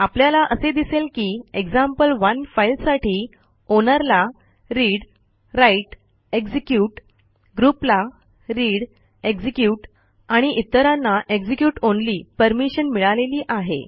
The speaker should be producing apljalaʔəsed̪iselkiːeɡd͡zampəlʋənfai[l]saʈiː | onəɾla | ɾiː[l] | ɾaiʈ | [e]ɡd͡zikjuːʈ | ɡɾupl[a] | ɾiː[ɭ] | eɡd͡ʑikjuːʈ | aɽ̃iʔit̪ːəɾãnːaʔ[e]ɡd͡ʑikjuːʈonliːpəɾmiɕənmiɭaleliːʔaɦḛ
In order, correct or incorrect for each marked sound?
correct, incorrect, correct, correct, incorrect, correct

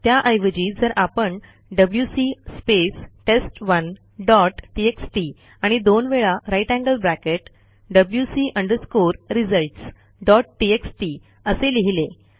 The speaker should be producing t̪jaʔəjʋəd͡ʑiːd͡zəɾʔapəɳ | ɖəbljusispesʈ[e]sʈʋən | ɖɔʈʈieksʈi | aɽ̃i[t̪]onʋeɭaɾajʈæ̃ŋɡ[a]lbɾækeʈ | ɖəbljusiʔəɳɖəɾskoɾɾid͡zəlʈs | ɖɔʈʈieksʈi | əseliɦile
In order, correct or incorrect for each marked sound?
correct, incorrect, incorrect

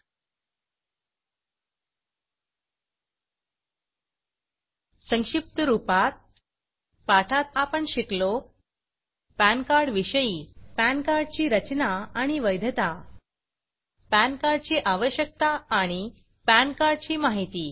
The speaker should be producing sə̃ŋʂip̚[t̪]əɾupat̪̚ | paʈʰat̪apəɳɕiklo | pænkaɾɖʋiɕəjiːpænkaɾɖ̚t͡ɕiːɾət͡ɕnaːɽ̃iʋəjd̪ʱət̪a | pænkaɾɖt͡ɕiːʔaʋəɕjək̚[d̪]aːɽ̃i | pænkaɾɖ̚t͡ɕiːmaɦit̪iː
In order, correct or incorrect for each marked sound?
correct, incorrect

